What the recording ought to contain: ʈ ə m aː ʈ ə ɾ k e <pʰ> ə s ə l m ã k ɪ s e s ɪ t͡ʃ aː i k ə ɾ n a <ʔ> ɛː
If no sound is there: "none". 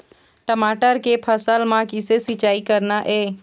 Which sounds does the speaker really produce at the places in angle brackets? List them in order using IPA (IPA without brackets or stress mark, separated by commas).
pʰ, ʔ